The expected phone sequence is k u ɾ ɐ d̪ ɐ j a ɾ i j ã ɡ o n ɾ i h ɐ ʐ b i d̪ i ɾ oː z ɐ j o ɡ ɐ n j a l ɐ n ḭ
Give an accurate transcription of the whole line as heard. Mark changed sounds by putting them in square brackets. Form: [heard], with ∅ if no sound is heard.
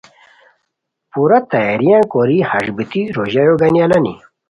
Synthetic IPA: [p] u ɾ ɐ [t̪] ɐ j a ɾ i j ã [k] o [∅] ɾ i h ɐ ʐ b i [t̪] i ɾ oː [ʑ] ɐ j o ɡ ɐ n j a l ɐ n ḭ